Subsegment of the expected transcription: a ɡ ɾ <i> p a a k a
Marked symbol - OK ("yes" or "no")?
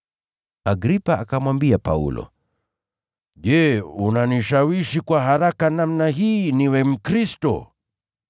yes